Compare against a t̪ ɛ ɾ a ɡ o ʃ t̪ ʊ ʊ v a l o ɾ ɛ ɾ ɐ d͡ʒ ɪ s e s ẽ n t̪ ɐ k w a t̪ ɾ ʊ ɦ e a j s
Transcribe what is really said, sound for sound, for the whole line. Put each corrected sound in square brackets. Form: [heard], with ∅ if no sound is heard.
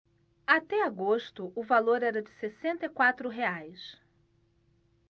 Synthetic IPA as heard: a t̪ ɛ [∅] a ɡ o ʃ t̪ ʊ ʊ v a l o ɾ ɛ ɾ ɐ d͡ʒ ɪ s e s ẽ n t̪ ɐ k w a t̪ ɾ ʊ ɦ e a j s